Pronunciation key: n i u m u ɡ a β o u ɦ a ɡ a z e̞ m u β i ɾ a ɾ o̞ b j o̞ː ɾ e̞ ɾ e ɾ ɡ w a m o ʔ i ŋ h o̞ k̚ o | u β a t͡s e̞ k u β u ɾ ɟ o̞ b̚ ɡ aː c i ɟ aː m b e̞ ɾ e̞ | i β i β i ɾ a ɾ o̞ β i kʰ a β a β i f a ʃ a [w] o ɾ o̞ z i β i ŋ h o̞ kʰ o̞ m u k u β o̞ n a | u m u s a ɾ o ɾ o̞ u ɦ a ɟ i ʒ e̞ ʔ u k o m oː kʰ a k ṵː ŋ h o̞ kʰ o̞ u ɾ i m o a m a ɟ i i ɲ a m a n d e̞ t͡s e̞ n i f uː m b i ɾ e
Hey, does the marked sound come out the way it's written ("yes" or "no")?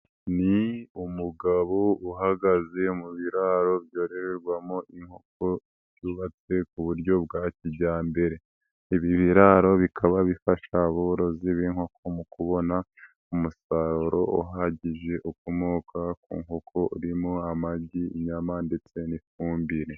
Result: no